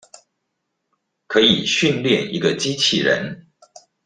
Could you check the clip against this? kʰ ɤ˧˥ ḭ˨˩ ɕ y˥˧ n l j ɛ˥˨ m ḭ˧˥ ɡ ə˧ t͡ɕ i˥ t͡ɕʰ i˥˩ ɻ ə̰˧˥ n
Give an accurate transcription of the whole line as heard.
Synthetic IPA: kʰ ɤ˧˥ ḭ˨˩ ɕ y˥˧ n l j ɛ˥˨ n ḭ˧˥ ɡ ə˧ t͡ɕ i˥ t͡ɕʰ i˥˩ ɻ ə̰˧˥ n

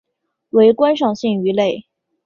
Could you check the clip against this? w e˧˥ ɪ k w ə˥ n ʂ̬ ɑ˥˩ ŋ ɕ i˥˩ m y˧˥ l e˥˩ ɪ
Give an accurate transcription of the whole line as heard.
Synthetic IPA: w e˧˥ ɪ k w a˥ n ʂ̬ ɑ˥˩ ŋ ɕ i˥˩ ŋ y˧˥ l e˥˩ ɪ

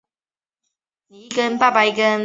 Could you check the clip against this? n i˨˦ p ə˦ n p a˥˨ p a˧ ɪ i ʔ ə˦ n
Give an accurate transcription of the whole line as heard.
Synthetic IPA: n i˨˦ k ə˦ n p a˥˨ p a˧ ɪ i k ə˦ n

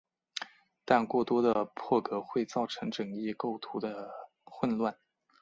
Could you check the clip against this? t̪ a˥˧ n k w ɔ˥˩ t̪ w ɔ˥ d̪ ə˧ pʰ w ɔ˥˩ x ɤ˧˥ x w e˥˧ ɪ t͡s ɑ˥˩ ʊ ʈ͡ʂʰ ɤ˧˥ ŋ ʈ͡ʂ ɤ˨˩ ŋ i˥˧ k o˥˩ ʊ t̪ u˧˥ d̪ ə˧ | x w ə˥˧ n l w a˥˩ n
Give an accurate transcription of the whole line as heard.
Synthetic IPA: t̪ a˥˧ n k w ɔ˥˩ t̪ w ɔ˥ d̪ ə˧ pʰ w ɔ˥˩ k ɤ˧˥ x w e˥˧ ɪ t͡s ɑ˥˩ ʊ ʈ͡ʂʰ ɤ˧˥ ŋ ʈ͡ʂ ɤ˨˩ ŋ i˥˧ k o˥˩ ʊ t̪ʰ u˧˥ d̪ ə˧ | x w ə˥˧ n l w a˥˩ n

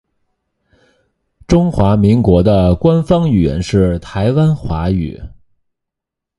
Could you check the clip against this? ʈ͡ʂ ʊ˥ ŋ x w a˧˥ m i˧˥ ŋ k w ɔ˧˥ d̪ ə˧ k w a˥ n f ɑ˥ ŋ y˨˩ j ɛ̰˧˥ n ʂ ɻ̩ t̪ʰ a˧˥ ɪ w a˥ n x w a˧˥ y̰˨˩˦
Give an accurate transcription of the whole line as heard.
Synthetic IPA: ʈ͡ʂ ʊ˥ ŋ x w a˧˥ m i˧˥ ŋ k w ɔ˧˥ d̪ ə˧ k w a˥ n f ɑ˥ ŋ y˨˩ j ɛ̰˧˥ n ʂ ɻ̩ t̪ʰ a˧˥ ɪ w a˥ n x w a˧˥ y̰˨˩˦

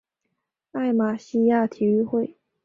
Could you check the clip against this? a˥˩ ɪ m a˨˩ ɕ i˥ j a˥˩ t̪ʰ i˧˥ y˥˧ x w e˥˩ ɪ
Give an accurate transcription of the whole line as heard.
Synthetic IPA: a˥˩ ɪ m a˨˩ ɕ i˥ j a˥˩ t̪ʰ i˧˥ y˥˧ x w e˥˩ ɪ

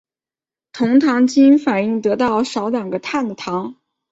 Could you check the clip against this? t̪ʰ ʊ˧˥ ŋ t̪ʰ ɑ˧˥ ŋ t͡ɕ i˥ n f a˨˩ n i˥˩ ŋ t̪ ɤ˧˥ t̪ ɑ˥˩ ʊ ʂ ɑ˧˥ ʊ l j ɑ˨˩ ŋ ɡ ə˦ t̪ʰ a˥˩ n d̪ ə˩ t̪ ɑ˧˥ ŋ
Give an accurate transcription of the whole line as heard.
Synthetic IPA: t̪ʰ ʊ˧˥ ŋ t̪ʰ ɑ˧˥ ŋ t͡ɕ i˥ n f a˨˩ n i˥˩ ŋ t̪ ɤ˧˥ t̪ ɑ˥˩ ʊ ʂ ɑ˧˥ ʊ l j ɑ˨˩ ŋ ɡ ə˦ t̪ʰ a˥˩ n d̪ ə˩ t̪ʰ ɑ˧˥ ŋ

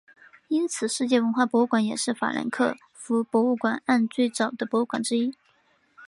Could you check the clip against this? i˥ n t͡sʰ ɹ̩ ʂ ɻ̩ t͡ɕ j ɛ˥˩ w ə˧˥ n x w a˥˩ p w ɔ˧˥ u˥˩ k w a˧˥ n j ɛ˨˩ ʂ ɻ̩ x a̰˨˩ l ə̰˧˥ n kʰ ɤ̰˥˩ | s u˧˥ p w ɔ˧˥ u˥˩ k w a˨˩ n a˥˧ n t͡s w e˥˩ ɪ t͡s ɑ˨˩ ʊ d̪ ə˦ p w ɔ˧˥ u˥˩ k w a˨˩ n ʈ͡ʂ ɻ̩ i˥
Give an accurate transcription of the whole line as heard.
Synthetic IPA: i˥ n t͡sʰ ɹ̩ ʂ ɻ̩ t͡ɕ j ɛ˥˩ w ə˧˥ n x w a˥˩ p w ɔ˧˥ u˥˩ k w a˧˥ n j ɛ˨˩ ʂ ɻ̩ f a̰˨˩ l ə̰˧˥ n kʰ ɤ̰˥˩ | f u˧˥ p w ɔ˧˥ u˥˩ k w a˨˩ n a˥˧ n t͡s w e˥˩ ɪ t͡s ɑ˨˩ ʊ d̪ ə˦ p w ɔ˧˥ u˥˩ k w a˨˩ n ʈ͡ʂ ɻ̩ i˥

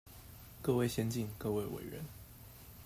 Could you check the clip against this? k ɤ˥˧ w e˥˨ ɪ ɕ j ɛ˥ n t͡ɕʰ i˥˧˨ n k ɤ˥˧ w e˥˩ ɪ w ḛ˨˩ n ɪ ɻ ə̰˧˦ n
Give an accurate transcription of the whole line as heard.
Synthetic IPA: k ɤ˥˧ w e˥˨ ɪ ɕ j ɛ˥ n t͡ɕ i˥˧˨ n k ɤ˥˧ w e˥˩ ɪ w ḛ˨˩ ɪ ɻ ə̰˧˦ n

